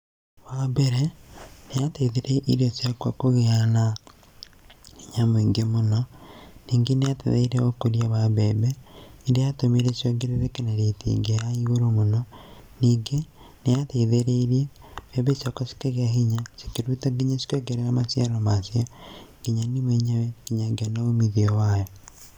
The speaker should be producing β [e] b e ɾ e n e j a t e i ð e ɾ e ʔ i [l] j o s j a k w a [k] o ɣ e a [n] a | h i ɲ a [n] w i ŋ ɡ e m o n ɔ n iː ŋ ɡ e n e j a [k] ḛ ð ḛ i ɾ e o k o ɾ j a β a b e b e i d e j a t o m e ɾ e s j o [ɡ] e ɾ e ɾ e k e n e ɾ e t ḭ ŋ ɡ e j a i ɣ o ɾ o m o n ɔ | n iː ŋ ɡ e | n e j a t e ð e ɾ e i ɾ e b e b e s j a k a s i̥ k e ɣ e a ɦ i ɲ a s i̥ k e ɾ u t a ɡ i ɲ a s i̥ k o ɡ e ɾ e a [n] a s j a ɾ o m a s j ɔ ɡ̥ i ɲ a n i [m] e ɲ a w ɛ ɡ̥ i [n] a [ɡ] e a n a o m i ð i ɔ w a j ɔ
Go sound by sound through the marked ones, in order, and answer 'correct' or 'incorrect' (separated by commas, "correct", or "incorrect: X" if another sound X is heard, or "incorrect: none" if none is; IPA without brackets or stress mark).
incorrect: a, incorrect: ɾ, correct, correct, incorrect: m, incorrect: t, correct, incorrect: m, correct, incorrect: ɲ, correct